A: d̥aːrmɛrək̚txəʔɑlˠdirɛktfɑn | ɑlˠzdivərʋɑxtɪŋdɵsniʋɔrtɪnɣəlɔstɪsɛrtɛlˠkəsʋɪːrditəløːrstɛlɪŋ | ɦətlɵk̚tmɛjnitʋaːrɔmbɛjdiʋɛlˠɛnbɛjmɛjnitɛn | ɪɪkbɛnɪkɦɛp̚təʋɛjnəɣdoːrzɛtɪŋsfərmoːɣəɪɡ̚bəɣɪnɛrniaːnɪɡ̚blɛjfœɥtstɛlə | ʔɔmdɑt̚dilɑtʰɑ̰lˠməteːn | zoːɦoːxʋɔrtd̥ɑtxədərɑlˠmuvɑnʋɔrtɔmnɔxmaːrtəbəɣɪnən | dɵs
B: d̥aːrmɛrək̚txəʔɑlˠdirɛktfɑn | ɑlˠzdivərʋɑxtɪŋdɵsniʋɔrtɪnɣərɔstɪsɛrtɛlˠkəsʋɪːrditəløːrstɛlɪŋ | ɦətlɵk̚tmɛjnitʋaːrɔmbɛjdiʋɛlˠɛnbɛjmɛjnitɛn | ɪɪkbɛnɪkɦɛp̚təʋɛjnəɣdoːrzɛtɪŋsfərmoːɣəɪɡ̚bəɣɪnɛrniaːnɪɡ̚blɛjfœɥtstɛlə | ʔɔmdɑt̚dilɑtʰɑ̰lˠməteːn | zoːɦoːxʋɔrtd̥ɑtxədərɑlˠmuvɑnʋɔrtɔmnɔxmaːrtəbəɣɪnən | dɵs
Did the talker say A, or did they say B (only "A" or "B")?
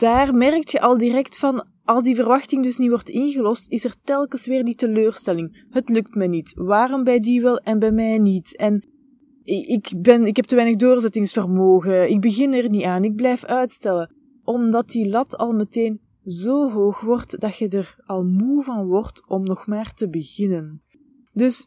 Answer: A